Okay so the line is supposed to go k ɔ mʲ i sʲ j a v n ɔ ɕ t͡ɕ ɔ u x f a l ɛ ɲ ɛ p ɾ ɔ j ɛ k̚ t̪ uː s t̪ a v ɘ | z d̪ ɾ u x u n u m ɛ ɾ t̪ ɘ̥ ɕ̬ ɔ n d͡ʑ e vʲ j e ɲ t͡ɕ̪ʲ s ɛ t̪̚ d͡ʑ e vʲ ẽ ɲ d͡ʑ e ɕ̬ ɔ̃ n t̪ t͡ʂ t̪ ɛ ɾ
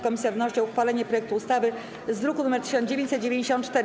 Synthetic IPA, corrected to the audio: k ɔ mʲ i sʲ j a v n ɔ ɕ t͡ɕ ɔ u x f a l ɛ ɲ ɛ p ɾ ɔ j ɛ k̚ t̪ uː s t̪ a v ɘ | z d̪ ɾ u k u n u m ɛ ɾ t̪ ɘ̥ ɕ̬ ɔ n d͡ʑ e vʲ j e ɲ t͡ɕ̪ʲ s ɛ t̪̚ d͡ʑ e vʲ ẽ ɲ d͡ʑ e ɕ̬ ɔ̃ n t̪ t͡ʂ t̪ ɛ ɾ